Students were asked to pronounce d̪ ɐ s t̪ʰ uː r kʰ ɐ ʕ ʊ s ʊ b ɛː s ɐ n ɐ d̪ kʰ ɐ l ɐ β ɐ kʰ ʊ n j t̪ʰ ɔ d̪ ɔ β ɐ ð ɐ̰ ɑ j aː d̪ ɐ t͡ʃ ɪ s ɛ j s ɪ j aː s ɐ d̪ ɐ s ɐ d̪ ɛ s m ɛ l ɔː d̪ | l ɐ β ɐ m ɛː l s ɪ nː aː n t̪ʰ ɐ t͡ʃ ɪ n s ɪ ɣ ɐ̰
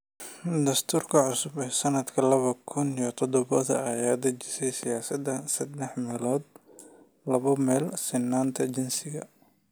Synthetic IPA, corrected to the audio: d̪ ɐ s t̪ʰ uː r kʰ ɐ ʕ ʊ s ʊ b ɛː s ɐ n ɐ d̪ kʰ ɐ l ɐ β ɐ kʰ ʊ n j t̪ʰ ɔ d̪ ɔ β ɐ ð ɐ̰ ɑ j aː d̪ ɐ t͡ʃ ɪ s ɛ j s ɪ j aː s ɐ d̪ ɐ s ɐ d̪ ɛ ħ m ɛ l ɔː d̪ | l ɐ β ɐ m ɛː l s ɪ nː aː n t̪ʰ ɐ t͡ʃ ɪ n s ɪ ɣ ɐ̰